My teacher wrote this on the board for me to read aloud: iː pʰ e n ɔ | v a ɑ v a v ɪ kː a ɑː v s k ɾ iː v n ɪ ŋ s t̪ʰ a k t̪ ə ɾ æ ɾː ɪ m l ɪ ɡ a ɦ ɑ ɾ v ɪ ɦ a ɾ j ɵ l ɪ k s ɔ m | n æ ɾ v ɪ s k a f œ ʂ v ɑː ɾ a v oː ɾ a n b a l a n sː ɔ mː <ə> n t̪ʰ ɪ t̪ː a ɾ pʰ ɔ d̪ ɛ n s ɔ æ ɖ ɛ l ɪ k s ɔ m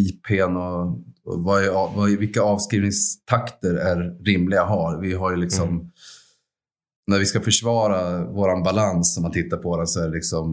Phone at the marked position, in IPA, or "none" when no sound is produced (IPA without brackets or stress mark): a